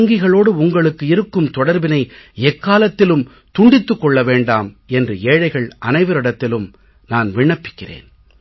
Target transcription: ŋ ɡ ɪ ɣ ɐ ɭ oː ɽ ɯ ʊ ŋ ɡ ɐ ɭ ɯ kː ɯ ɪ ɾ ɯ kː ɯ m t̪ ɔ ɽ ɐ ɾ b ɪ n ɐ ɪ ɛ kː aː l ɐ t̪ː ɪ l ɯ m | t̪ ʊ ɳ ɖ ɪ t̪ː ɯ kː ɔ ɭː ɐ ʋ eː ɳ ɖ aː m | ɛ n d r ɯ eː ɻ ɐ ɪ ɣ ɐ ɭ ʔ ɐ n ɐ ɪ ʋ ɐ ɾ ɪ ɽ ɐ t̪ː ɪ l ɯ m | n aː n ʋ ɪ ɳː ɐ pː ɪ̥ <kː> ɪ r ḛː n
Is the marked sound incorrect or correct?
correct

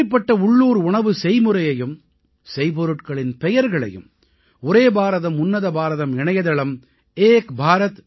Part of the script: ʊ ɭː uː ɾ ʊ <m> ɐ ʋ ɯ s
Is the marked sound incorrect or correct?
incorrect: ɳ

